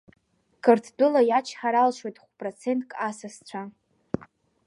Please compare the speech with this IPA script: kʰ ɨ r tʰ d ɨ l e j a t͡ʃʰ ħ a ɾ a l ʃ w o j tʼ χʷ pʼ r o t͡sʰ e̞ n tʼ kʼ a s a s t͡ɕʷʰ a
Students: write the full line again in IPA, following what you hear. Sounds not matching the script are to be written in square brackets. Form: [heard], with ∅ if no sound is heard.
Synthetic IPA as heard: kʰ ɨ r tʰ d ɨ l [a] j a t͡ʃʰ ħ a ɾ a l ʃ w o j tʼ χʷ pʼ r o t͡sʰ e̞ n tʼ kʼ a s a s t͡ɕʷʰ a